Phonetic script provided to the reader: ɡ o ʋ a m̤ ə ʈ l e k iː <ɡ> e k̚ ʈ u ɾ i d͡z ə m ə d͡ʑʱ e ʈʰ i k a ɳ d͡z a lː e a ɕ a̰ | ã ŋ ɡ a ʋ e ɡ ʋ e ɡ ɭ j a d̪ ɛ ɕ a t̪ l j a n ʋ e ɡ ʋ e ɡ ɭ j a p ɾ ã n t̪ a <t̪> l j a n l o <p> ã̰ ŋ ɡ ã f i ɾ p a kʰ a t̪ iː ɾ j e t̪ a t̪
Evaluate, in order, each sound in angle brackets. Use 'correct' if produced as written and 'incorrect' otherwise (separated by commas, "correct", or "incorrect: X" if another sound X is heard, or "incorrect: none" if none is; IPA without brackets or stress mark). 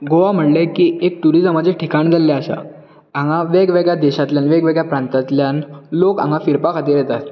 incorrect: none, correct, incorrect: k